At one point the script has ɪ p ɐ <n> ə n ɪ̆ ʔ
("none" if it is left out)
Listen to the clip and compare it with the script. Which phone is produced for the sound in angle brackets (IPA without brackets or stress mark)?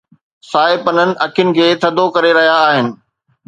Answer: n